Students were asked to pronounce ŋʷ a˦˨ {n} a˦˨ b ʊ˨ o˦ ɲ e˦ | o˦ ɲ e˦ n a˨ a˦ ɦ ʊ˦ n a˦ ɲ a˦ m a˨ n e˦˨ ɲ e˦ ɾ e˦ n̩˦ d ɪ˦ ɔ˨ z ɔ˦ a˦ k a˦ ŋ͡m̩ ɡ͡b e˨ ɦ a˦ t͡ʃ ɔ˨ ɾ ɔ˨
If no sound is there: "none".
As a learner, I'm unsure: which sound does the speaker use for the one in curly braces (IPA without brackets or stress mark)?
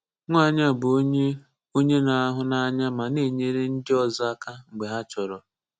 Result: ɲ